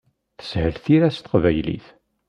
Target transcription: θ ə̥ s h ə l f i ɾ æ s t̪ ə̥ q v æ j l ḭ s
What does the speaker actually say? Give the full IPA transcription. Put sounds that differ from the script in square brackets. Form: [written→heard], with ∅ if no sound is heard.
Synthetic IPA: θ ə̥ s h ə l [f→θ] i ɾ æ s t̪ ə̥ q v æ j l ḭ [s→θ]